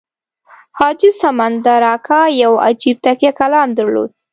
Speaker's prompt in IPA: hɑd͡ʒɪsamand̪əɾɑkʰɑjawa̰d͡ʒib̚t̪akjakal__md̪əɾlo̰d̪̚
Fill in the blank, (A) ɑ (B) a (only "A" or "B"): A